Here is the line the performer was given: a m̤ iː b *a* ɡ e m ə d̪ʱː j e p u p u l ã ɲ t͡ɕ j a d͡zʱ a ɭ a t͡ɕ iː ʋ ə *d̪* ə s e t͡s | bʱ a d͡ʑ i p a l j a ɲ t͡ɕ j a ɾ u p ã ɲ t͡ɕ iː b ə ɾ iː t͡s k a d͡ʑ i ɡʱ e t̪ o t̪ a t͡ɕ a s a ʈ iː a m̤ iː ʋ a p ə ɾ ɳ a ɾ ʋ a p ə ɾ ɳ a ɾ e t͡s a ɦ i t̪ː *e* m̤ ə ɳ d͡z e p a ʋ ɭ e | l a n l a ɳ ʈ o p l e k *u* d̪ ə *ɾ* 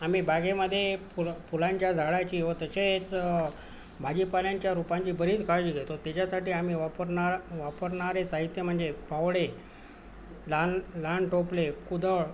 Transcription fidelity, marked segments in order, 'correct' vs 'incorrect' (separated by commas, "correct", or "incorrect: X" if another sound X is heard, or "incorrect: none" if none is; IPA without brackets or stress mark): correct, incorrect: t̪, correct, correct, incorrect: ɭ